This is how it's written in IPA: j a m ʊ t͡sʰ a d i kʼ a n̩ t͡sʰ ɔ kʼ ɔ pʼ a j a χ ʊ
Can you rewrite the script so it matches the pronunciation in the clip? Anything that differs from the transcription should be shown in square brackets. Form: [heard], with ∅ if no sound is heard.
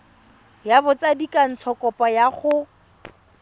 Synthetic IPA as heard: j a [b] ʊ [t͡s] a d i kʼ a n̩ t͡sʰ ɔ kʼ ɔ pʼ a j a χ ʊ

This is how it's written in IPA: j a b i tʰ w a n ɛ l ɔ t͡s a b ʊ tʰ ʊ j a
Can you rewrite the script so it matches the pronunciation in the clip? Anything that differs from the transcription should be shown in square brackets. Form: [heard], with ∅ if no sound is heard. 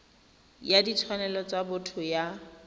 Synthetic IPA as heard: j a [d] i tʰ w a n ɛ l ɔ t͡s a b ʊ tʰ ʊ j a

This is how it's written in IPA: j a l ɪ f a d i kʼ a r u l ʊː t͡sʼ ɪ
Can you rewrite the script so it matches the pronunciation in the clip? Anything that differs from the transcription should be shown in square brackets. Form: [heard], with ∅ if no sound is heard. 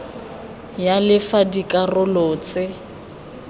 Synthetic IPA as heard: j a l ɪ f a d i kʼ a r [ʊ] l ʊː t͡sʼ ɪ

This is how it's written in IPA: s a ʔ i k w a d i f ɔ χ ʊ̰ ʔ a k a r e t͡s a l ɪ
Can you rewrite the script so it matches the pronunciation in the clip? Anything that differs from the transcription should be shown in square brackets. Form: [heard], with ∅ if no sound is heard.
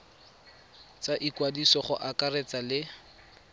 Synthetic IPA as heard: [t͡s] a ʔ i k w a d i [s] ɔ χ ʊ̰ ʔ a k a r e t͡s a l ɪ

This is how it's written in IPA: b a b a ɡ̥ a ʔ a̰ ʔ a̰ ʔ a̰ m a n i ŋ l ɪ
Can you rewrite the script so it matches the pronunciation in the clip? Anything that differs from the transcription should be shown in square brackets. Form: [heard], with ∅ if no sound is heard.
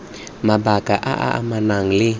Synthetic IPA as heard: [m] a b a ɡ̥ a ʔ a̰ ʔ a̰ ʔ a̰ m a n [a] ŋ l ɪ

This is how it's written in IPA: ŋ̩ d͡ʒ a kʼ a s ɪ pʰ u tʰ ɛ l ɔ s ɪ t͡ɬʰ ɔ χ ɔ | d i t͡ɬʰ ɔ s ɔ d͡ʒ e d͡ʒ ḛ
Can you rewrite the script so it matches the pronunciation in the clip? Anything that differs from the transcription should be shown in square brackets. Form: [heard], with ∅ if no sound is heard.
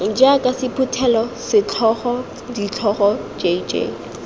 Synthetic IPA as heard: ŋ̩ d͡ʒ a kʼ a s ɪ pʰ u tʰ ɛ l ɔ s ɪ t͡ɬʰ ɔ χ ɔ | d i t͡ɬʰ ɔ [χ] ɔ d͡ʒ e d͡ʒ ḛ

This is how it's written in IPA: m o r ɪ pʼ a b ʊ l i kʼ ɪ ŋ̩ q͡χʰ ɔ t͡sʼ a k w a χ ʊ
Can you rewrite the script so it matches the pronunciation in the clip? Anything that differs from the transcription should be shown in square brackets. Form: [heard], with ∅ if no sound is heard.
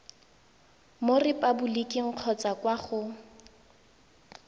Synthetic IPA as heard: m o r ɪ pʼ a b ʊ l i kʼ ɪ ŋ̩ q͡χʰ ɔ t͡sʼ a k w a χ ʊ

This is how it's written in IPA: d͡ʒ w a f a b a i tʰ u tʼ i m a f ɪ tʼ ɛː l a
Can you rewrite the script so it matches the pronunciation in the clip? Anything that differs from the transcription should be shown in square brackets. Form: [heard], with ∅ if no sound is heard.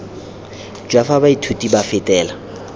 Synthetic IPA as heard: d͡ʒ w a f a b a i tʰ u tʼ i [b] a f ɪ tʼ ɛː l a

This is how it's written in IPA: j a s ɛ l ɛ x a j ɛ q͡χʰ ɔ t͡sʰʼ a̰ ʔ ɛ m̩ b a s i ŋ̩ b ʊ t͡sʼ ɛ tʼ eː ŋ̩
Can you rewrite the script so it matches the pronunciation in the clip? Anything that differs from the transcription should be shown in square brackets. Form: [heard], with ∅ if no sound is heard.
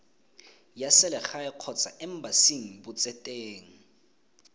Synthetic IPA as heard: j a s ɛ l ɛ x a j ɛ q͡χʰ ɔ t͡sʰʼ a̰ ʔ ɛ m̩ b a s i ŋ̩ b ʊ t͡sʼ ɛ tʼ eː ŋ̩

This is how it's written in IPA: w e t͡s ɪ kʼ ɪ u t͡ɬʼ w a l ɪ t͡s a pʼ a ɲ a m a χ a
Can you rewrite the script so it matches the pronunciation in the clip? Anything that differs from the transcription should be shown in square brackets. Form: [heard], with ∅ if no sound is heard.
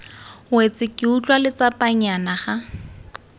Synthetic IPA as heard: w e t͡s ɪ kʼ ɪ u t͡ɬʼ w a l ɪ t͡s a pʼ a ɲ a [n] a χ a

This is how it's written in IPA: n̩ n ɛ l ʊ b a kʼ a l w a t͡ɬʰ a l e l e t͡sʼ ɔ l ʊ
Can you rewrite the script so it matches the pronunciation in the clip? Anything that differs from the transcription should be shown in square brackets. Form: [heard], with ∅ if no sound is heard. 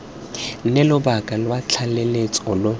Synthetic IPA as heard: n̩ n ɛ l ʊ b a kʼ a l w a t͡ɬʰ a l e l e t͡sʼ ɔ l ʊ

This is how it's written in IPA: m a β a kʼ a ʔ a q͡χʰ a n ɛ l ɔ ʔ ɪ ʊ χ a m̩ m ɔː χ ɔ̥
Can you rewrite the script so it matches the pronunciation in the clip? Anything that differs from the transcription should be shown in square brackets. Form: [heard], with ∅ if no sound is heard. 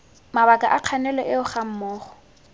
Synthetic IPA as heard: m a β a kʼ a ʔ a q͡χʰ a n ɛ l ɔ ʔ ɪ ʊ χ a m̩ m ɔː χ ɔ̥

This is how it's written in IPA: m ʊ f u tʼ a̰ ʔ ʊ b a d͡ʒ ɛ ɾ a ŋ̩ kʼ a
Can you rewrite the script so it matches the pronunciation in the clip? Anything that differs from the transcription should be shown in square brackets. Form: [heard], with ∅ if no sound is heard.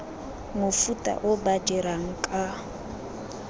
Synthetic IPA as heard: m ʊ f u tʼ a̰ ʔ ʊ b a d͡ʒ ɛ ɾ a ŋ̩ kʼ a

